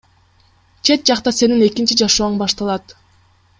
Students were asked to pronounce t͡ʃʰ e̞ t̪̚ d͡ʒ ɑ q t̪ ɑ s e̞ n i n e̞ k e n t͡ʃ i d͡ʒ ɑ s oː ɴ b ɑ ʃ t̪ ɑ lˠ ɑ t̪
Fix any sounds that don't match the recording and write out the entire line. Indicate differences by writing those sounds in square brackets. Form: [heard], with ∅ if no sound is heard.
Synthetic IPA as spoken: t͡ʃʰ e̞ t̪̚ d͡ʒ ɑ q t̪ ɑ s e̞ n i n e̞ k [i] n t͡ʃ i d͡ʒ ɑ [ʃ] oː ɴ b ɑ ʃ t̪ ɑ lˠ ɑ t̪